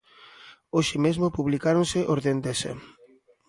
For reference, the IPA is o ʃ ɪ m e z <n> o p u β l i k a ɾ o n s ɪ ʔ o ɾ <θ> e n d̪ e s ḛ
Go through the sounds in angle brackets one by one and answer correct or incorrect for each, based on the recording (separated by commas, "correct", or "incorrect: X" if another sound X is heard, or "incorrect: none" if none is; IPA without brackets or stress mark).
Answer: incorrect: m, incorrect: ð